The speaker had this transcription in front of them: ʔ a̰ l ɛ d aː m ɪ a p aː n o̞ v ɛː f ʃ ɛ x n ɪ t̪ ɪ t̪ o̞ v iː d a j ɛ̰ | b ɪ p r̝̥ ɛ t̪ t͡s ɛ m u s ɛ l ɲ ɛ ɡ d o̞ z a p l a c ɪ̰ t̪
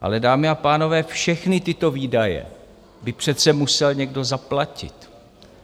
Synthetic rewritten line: ʔ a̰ l ɛ d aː m ɪ a p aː n o̞ v ɛː f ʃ ɛ x n ɪ t̪ ɪ t̪ o̞ v iː d a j ɛ̰ | b ɪ p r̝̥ ɛ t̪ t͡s ɛ m u s ɛ l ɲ ɛ ɡ d o̞ z a p l a c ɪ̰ t̪